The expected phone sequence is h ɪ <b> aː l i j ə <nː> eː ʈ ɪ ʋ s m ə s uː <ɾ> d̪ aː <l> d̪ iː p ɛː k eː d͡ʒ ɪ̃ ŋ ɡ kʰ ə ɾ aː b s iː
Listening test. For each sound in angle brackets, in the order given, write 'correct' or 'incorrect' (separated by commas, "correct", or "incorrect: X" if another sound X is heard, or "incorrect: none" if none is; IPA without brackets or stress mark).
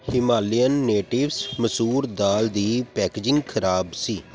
incorrect: m, correct, correct, correct